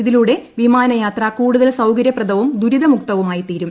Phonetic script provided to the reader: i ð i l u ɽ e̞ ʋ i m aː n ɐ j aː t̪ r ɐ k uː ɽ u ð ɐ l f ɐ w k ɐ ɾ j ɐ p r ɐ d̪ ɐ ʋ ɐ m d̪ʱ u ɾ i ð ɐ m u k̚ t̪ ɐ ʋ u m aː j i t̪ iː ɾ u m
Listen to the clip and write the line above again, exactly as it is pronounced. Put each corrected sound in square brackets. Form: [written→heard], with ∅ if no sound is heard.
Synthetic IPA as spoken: i ð i l u ɽ e̞ ʋ i m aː n ɐ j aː t̪ r ɐ k uː ɽ u ð ɐ l [f→s] ɐ w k ɐ ɾ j ɐ p r ɐ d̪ ɐ ʋ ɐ m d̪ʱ u ɾ i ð ɐ m u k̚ t̪ ɐ ʋ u m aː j i t̪ iː ɾ u m